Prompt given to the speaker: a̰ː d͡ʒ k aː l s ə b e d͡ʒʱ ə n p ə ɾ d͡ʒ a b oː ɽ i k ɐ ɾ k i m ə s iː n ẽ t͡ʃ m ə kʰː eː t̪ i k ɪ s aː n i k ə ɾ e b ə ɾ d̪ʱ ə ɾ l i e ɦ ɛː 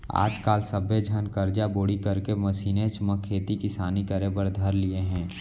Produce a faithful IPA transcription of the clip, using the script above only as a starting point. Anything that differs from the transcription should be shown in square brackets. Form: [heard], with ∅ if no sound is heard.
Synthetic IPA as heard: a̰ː d͡ʒ k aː l s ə b e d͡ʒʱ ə n [k] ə ɾ d͡ʒ a b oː ɽ i k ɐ ɾ k [e] m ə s iː n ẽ t͡ʃ m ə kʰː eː t̪ i k ɪ s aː n i k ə ɾ e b ə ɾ d̪ʱ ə ɾ l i e ɦ [ɛ̃ː]